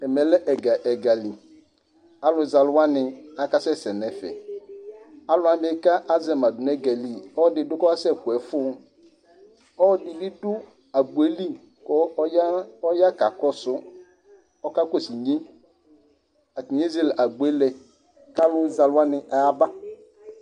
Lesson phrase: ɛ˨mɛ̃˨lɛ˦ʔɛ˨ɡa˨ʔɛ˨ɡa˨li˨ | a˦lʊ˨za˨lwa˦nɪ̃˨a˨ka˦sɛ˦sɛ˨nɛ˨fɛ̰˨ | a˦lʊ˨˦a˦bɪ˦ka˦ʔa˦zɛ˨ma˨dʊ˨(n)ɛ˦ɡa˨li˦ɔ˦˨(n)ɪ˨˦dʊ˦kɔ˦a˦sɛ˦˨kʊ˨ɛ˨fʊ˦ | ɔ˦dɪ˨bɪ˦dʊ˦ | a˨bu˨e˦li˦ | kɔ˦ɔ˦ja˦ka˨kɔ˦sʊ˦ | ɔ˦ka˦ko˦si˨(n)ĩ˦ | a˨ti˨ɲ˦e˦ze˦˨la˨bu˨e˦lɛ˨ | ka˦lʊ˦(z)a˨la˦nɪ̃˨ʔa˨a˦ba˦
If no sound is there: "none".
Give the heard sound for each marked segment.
n, d, ɲ, z

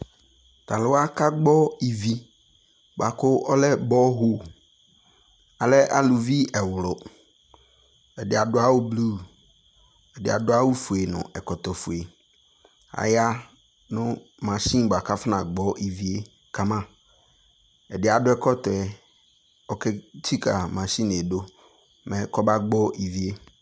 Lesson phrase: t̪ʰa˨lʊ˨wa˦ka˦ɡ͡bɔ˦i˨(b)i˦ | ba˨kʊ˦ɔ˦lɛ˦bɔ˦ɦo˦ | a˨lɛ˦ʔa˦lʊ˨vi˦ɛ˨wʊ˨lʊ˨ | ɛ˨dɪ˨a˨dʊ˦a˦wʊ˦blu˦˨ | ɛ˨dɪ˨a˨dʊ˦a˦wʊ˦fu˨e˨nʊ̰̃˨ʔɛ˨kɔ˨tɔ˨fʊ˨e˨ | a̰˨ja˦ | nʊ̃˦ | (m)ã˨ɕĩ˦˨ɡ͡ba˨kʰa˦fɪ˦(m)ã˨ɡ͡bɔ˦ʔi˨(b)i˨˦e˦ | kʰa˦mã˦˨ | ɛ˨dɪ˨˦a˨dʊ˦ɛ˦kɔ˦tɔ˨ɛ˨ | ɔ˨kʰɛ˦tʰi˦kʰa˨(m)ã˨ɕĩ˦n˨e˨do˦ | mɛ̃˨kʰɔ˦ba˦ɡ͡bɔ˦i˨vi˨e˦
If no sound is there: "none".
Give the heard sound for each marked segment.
v, m, n, v, m

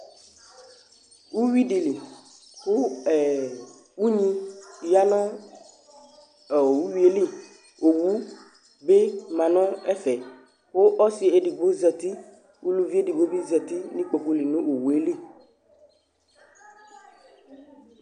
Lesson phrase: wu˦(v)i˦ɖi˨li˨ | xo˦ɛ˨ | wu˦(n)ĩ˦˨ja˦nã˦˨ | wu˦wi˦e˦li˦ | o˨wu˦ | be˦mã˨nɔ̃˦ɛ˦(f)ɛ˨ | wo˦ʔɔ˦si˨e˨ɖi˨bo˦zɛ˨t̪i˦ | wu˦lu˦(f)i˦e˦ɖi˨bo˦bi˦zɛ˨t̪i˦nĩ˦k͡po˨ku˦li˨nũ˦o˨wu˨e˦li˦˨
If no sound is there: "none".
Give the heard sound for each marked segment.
w, ɲ, f, v

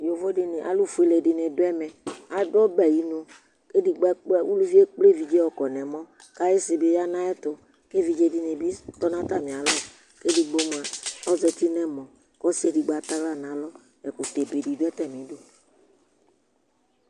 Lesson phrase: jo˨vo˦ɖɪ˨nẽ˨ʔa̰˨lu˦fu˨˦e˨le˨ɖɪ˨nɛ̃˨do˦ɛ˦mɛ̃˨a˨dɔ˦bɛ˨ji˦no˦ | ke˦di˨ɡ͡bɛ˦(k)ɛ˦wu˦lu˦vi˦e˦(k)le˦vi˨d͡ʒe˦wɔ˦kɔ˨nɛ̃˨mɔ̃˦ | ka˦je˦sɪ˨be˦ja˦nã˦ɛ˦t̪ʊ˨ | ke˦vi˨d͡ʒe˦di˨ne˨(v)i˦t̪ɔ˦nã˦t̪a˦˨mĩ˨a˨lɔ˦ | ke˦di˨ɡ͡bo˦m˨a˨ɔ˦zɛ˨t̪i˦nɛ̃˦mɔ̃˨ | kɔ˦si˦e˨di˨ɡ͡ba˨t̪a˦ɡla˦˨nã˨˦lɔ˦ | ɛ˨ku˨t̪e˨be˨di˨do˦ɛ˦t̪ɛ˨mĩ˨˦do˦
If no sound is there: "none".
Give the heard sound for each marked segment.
k͡p, k͡p, b

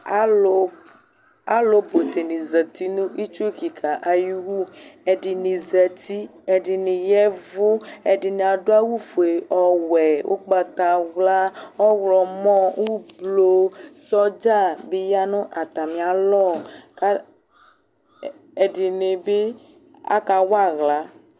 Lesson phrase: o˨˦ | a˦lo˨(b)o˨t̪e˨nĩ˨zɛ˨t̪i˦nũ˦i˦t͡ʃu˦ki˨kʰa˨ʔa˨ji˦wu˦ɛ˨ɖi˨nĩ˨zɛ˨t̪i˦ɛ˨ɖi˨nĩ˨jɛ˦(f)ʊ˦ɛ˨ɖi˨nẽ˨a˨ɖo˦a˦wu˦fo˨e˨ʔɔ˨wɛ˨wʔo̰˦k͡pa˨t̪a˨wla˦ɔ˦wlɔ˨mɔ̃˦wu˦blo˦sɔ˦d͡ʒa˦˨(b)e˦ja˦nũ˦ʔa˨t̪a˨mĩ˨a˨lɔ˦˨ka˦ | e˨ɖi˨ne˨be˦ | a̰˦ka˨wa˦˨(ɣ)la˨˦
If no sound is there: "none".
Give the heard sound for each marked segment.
b, v, b, ɣ

